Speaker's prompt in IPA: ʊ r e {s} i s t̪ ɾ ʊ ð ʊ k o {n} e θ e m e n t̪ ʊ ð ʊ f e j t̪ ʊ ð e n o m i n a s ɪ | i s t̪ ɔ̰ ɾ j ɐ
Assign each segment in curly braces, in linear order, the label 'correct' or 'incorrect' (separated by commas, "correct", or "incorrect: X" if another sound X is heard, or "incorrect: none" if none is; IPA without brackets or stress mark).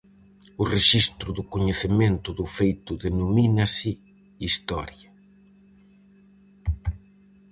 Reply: incorrect: ʃ, incorrect: ɲ